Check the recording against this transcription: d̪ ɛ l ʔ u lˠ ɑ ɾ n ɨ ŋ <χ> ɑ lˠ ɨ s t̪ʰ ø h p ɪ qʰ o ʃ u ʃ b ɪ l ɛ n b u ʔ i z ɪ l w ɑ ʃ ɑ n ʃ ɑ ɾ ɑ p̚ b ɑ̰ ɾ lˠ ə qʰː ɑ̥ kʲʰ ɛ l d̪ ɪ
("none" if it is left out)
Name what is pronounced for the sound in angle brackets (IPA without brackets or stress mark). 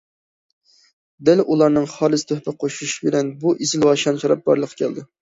χ